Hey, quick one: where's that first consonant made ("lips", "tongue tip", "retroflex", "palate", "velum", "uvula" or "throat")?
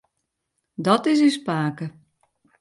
tongue tip